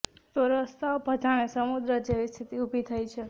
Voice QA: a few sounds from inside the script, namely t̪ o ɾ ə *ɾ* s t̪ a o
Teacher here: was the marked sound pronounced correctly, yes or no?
no